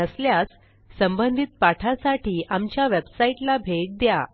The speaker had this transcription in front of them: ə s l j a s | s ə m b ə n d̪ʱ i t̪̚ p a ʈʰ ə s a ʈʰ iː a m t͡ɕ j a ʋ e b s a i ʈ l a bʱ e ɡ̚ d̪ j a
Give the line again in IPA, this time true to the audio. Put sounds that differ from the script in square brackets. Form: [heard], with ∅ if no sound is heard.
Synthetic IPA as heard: ə s l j a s | s ə m b ə n d̪ʱ i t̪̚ p a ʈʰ [a] s a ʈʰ iː a m t͡ɕ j a ʋ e b s a i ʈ l a bʱ e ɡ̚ d̪ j a